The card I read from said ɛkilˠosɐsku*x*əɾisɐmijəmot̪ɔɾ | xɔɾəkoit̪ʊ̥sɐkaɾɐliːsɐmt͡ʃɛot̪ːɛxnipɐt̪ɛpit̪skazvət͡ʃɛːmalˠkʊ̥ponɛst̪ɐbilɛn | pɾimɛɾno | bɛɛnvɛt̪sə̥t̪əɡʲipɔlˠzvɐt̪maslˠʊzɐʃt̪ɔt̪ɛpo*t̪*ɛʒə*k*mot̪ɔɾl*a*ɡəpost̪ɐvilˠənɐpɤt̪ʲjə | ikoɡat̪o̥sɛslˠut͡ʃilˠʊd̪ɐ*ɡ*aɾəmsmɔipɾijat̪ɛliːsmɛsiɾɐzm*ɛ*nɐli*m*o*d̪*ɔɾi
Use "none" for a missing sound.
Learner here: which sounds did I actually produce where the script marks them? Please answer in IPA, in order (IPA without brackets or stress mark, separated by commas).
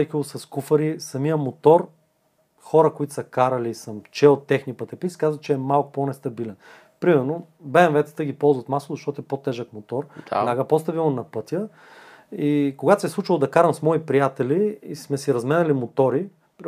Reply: f, t̪, k, a, k, ɛ, m, t̪